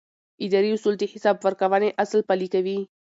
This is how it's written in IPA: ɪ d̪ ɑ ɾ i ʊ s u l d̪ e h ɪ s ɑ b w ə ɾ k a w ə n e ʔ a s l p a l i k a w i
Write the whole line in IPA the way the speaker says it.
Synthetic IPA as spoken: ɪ d̪ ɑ ɾ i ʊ s u l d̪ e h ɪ s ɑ b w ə ɾ k a w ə n e ʔ a s l p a l i k a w i